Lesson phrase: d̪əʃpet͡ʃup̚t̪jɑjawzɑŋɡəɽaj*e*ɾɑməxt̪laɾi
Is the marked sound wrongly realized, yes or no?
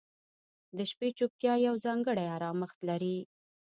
yes